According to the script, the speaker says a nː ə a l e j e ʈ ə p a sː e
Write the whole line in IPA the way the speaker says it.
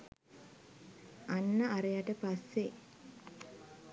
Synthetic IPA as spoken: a nː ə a ɾ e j a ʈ ə p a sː e